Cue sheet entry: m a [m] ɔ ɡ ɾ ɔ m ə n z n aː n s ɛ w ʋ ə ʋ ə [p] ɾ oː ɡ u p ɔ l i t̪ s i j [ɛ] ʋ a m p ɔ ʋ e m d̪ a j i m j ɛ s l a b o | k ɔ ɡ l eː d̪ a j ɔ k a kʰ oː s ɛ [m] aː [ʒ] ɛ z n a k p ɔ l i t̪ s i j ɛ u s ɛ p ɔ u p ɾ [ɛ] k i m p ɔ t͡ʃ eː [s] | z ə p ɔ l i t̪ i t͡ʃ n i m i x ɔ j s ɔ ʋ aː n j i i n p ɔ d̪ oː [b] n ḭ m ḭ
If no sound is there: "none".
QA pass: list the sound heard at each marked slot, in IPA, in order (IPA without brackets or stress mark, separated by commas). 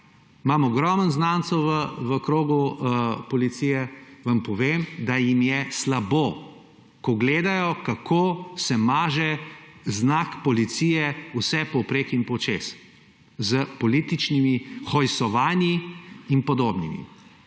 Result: m, k, ɛ, m, ʒ, e, s, b